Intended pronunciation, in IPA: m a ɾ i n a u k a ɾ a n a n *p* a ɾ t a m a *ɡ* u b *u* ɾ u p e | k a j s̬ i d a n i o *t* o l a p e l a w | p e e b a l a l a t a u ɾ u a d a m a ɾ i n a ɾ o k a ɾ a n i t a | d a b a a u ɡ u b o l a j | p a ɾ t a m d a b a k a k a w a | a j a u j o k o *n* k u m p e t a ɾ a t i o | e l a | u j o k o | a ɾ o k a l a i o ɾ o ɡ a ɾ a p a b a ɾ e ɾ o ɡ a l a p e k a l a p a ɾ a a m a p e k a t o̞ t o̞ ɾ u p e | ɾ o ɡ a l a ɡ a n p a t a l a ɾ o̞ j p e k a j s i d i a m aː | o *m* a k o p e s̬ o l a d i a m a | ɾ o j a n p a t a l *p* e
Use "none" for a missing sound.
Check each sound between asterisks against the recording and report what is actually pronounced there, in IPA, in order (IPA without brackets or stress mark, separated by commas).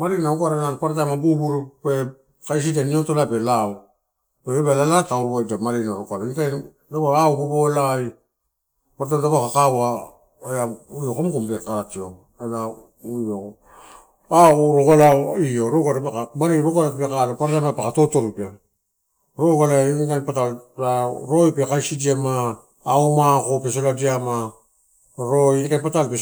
p, b, u, t, m, m, p